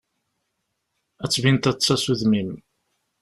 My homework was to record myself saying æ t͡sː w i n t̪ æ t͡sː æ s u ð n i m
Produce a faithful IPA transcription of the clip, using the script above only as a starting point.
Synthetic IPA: æ t͡sː v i n t̪ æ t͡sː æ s u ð m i m